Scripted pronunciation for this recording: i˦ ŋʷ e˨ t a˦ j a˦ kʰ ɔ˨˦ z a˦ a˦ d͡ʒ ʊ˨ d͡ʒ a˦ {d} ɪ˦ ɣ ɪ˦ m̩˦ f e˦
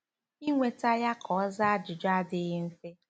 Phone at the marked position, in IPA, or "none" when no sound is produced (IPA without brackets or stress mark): d